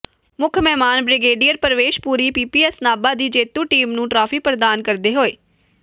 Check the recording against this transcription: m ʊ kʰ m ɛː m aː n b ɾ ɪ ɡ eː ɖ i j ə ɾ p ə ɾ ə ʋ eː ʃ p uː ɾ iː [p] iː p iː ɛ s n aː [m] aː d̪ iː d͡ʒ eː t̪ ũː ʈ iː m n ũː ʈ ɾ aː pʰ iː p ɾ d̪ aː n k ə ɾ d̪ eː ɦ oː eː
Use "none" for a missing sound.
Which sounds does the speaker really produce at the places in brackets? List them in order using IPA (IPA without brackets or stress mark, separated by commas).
p, b